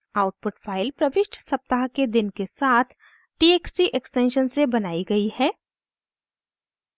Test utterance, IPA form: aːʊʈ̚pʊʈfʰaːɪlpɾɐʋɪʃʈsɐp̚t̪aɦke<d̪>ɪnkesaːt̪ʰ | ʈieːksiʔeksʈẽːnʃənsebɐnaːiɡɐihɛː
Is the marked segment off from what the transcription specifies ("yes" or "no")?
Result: no